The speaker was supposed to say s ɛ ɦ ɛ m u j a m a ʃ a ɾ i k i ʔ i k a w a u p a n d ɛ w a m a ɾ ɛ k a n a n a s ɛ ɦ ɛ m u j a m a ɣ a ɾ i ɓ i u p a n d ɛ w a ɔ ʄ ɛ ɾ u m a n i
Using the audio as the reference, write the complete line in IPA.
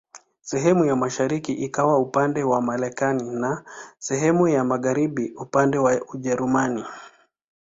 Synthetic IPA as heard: s ɛ ɦ ɛ m u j a m a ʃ a ɾ i k i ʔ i k a w a u p a n d ɛ w a m a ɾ ɛ k a n i n a s ɛ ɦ ɛ m u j a m a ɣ a ɾ i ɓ i u p a n d ɛ w a u ʄ ɛ ɾ u m a n i